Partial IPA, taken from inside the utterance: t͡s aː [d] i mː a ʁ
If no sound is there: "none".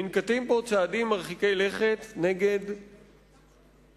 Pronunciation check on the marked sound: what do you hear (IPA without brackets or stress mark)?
d